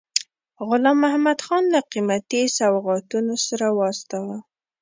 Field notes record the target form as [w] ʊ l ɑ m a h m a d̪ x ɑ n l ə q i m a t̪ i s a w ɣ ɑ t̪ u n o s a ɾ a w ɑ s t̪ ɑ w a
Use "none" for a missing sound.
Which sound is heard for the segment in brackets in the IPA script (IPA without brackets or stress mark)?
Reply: ɣ